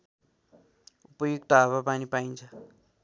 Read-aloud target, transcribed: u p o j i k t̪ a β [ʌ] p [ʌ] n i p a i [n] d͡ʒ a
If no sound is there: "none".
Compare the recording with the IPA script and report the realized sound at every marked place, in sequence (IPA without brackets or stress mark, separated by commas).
a, a, n